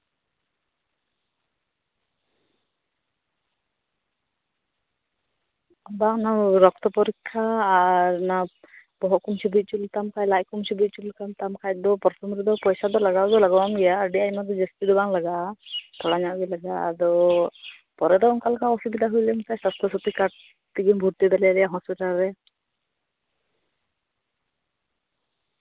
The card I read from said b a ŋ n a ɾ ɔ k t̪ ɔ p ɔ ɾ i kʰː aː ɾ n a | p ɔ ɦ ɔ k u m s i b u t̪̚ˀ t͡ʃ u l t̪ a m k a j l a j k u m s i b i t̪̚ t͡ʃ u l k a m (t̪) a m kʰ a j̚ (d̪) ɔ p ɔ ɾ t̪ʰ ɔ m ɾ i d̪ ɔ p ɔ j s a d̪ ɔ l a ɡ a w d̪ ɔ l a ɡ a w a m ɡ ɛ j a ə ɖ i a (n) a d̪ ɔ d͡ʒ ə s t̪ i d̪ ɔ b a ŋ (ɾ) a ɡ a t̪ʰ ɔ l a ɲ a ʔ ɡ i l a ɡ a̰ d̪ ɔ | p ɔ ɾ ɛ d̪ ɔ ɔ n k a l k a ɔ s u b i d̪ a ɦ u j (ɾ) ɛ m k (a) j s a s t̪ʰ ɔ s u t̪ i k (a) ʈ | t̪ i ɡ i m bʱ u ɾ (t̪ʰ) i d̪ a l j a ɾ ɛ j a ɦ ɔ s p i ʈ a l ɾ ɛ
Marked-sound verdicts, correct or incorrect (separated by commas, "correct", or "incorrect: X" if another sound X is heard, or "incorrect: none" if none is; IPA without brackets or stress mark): correct, correct, incorrect: m, incorrect: l, incorrect: l, correct, correct, incorrect: t̪